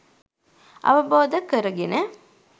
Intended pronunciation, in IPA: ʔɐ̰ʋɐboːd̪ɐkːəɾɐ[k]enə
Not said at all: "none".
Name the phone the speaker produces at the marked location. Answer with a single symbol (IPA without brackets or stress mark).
ɡ